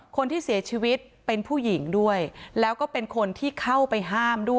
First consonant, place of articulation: velar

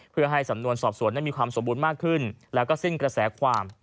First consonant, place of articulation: labial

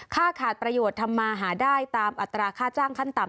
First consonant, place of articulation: velar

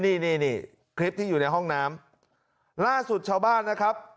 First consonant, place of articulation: alveolar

